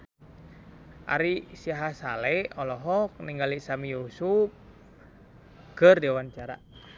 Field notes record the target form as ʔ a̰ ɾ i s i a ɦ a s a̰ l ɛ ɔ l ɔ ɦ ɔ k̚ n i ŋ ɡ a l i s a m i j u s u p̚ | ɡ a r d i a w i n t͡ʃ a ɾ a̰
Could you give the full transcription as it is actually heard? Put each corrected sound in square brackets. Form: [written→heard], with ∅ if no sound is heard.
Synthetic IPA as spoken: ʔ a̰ ɾ i s i a ɦ a s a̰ l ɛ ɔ l ɔ ɦ ɔ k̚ n i ŋ ɡ a l i s a m i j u s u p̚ | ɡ [a→ə] r d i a w [i→a] n t͡ʃ a ɾ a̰